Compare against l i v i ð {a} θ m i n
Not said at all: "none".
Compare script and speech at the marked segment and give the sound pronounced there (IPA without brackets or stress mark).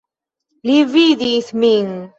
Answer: i